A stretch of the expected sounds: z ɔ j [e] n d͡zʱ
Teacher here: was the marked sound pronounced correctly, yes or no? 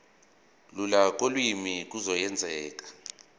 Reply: no